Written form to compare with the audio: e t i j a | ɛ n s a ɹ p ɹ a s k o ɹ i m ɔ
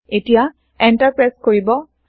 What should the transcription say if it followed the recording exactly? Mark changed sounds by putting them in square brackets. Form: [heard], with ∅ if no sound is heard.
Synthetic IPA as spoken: e t i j a | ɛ n [t] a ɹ p ɹ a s k o ɹ i [b] ɔ